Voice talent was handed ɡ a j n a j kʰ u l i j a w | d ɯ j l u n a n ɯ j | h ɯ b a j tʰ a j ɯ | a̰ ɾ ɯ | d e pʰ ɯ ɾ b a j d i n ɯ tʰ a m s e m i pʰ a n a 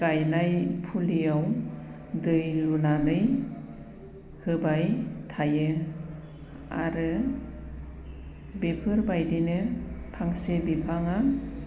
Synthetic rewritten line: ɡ a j n a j pʰ u l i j a w | d ɯ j l u n a n ɯ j | h ɯ b a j tʰ a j ɯ | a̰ ɾ ɯ | b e pʰ ɯ ɾ b a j d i n ɯ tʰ a ŋ s e b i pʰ a ŋ a